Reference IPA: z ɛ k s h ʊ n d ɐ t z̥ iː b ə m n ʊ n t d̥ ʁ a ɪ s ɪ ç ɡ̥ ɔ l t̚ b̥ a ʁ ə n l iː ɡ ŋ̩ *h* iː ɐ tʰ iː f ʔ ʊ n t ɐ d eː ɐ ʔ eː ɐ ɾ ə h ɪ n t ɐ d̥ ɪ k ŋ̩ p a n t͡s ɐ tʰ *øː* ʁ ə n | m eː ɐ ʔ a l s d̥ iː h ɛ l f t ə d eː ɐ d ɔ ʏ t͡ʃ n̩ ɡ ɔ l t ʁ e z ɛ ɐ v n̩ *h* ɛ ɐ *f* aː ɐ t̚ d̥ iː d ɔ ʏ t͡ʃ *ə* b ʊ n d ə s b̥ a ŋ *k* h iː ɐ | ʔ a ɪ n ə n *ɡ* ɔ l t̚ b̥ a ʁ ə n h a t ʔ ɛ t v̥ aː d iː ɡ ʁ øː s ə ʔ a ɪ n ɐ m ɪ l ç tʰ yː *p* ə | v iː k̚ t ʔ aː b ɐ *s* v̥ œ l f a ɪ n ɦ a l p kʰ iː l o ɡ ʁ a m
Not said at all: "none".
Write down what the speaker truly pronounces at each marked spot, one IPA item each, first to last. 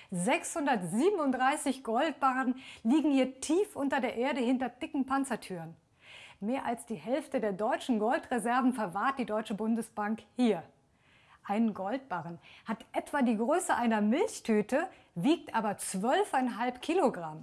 h, yː, f, v, ə, k, ɡ, t, t͡s

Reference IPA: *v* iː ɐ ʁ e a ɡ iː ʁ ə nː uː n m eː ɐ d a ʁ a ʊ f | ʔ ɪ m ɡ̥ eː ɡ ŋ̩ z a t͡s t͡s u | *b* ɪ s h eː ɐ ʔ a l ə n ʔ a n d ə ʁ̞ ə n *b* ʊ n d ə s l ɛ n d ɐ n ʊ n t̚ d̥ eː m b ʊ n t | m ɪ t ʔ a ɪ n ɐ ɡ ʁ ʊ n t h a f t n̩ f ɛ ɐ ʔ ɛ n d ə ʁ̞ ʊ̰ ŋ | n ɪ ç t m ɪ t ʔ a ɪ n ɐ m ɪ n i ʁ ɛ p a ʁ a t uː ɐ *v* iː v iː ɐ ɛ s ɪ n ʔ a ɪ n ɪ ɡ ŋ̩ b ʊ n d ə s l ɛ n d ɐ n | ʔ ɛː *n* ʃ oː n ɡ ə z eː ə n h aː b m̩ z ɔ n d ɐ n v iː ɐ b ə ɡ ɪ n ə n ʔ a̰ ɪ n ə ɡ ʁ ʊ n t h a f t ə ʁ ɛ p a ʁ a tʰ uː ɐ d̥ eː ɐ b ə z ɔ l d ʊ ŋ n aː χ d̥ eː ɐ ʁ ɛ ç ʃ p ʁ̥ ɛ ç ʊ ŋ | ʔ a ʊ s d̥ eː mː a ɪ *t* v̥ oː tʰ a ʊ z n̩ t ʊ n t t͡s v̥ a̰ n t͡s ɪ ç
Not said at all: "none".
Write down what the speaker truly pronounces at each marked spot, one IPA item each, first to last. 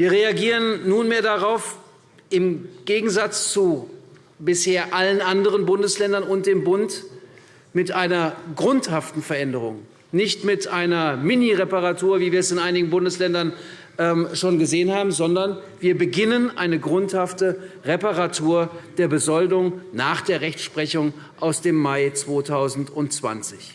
v, b, b, v, m, t͡s

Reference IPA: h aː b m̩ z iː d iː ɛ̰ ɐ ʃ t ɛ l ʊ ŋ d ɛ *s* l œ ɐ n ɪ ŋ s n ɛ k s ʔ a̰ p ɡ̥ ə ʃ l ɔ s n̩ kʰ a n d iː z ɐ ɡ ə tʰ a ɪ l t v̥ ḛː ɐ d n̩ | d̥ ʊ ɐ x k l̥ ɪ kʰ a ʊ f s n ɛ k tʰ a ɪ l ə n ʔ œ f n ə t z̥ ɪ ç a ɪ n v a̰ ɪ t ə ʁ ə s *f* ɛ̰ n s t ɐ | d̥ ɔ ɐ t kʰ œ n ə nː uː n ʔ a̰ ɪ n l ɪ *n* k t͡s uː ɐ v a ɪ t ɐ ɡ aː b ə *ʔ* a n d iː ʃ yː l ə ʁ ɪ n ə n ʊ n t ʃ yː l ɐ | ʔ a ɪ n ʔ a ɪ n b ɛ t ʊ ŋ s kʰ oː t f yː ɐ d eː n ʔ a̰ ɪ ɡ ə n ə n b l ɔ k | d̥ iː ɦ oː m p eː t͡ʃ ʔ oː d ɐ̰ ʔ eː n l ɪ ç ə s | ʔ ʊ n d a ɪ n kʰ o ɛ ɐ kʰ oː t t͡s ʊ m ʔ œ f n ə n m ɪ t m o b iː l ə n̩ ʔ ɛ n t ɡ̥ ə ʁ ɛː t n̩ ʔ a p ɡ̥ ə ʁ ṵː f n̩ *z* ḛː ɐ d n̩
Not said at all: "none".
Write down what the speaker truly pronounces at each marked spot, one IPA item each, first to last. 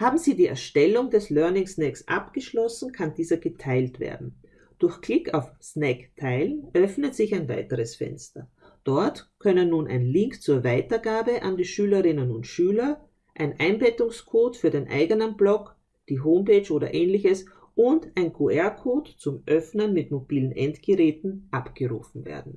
s, f, ŋ, ʔ, v

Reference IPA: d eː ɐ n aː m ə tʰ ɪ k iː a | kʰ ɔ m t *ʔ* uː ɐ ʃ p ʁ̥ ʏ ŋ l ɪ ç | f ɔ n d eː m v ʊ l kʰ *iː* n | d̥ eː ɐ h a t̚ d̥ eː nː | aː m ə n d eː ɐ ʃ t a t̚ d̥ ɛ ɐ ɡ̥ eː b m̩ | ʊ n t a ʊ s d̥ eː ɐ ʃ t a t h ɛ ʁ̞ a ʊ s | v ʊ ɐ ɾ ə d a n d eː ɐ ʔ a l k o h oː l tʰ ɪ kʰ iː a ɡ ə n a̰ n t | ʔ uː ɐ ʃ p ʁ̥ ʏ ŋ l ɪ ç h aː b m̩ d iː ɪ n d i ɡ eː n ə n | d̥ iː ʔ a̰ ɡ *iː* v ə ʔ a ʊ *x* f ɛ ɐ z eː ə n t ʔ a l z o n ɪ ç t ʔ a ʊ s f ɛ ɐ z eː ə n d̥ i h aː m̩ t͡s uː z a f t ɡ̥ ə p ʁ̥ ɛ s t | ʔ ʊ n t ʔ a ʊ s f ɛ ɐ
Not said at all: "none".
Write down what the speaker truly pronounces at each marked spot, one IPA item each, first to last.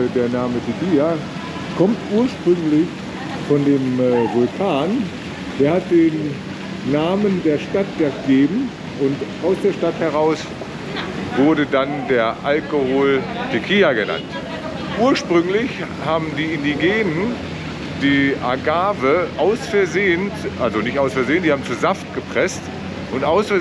ʔ, aː, aː, s

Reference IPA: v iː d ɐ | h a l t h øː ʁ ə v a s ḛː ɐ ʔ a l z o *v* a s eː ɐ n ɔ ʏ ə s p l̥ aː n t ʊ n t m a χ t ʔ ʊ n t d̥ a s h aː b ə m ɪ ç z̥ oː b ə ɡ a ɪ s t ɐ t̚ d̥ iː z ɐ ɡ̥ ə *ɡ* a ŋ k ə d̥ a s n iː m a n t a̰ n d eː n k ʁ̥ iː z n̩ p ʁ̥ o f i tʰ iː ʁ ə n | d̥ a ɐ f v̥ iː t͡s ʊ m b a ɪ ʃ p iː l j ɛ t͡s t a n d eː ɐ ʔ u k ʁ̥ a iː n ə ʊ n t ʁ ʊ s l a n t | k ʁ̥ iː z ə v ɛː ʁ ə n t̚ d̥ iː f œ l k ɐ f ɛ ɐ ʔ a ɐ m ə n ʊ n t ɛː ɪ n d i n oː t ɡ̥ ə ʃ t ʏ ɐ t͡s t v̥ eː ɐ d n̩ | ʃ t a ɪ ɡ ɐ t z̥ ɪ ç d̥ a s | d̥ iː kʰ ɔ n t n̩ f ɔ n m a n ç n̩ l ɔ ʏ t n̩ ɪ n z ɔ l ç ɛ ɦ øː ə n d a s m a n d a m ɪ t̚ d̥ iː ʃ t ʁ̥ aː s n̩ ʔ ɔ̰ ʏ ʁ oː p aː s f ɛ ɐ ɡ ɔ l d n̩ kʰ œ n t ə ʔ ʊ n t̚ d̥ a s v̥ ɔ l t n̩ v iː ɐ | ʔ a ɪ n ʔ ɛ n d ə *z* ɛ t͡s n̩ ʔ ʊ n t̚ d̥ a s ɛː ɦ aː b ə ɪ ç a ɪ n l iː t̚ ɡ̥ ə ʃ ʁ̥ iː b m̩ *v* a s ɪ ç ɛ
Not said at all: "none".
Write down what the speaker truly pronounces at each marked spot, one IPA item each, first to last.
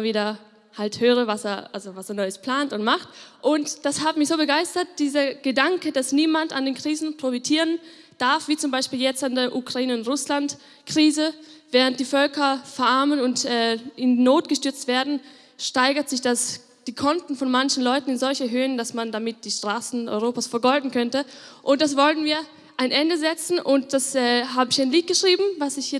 v, d, z, v

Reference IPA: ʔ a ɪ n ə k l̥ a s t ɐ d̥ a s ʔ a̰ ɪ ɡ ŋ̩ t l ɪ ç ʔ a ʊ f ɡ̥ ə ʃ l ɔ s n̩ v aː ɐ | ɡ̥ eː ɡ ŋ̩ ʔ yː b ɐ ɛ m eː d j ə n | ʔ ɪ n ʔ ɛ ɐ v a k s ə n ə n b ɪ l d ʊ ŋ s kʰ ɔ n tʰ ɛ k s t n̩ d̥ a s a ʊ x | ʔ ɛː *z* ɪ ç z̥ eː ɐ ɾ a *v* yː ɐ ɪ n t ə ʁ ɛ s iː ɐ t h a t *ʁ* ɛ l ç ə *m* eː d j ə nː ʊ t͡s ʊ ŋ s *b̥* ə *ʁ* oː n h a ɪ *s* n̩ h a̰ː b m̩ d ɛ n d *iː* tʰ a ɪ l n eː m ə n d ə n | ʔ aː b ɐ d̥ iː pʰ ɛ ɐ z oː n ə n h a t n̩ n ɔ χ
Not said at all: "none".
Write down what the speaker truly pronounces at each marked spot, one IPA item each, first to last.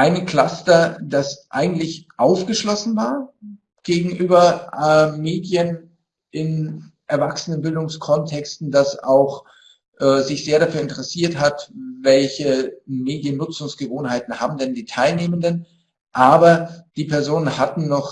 z, f, v, m, ɡ̥, v, t, iː

